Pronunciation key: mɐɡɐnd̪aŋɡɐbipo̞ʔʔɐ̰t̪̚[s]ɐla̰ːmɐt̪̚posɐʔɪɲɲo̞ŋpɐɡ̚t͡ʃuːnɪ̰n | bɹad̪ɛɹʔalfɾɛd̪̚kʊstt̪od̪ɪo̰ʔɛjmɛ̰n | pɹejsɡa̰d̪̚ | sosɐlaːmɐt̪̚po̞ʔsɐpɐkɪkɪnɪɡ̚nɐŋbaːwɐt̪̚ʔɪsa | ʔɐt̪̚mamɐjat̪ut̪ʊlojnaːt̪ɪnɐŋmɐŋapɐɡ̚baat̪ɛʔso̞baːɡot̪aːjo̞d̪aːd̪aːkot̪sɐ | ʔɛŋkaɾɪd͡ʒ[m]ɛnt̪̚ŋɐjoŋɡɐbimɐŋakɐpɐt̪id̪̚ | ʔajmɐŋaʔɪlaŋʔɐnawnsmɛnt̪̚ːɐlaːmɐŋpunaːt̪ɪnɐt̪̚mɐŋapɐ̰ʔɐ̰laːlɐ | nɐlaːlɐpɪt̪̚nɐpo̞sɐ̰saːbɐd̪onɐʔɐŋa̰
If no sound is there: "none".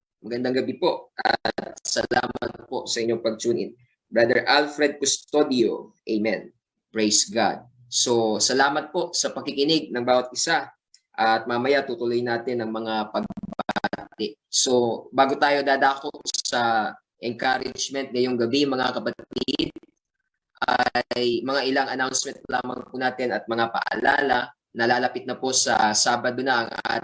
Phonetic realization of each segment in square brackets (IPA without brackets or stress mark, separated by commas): s, m